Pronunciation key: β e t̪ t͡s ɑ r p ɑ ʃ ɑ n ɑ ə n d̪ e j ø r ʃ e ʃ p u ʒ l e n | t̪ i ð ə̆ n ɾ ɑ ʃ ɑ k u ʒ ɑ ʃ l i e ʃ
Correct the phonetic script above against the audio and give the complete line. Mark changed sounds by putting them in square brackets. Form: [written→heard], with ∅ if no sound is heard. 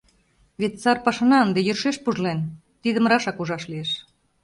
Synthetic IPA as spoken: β e t̪ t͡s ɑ r p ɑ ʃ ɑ n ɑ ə n d̪ e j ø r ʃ e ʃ p u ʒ l e n | t̪ i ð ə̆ [n→m] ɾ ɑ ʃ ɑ k u ʒ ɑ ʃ l i e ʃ